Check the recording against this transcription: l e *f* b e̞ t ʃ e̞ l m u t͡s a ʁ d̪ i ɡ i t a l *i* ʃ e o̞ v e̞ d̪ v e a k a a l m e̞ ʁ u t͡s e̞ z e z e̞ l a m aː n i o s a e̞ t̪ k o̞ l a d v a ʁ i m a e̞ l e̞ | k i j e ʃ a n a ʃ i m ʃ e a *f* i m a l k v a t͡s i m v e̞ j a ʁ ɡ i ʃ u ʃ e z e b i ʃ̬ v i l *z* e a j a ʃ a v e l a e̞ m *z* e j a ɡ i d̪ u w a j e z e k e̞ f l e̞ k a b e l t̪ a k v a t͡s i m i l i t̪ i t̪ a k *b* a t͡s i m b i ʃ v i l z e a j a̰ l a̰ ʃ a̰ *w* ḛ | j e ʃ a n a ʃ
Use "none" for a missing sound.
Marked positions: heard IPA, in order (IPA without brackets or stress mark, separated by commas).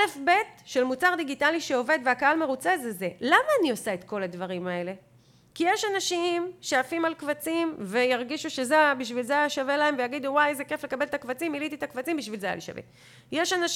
f, i, f, z, v, v, v